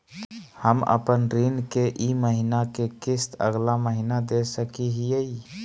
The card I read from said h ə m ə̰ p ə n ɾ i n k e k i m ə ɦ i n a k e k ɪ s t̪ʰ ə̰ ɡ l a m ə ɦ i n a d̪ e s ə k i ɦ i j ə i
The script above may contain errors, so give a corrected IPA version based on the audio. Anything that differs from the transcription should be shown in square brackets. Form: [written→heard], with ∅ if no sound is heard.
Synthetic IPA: h ə m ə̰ p ə n ɾ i n k e [k→ʔ] i m ə ɦ i n a k e k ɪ s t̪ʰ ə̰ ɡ l a m ə ɦ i n a d̪ e s ə k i ɦ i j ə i